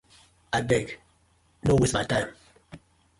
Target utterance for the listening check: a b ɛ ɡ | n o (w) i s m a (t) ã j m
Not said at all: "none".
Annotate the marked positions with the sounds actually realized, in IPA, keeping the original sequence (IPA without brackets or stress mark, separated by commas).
w, t